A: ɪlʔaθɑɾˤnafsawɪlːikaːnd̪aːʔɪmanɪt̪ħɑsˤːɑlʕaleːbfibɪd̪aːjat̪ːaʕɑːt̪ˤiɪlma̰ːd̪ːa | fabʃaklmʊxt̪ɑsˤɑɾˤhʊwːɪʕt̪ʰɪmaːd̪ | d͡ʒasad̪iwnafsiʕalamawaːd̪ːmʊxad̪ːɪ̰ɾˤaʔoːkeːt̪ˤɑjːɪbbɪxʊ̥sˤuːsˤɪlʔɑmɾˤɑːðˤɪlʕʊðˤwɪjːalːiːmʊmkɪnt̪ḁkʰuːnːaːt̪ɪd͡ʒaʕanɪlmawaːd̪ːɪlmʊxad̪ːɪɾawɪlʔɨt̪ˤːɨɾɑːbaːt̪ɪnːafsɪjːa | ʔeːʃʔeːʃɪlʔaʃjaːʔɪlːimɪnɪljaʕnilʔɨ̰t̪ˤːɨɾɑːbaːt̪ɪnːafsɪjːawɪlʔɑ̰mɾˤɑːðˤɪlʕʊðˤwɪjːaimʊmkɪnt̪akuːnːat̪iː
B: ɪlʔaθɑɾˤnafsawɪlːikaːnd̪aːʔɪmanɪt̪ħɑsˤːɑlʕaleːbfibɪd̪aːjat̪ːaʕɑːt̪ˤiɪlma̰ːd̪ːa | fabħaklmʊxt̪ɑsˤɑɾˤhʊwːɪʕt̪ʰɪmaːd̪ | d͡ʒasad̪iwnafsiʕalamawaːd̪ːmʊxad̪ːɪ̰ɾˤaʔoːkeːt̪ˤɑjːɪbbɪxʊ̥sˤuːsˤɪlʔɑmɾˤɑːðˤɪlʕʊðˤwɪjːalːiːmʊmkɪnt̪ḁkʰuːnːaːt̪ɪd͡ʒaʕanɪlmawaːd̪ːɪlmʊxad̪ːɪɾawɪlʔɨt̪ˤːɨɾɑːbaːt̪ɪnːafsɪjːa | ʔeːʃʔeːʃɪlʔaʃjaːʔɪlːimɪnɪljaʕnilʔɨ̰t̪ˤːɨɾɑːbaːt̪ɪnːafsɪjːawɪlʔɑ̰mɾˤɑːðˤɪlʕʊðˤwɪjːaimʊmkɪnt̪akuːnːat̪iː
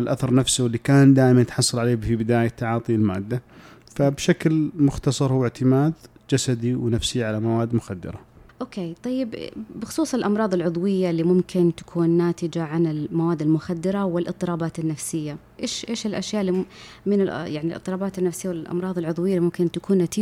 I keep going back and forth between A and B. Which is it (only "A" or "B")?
A